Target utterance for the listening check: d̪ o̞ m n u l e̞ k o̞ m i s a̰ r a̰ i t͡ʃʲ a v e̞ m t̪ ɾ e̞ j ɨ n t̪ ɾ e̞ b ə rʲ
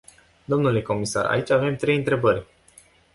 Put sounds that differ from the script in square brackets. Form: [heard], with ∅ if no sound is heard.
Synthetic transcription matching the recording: d̪ o̞ m n u l e̞ k o̞ m i s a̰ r a̰ i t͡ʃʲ a v e̞ m t̪ ɾ e̞ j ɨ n t̪ ɾ e̞ b ə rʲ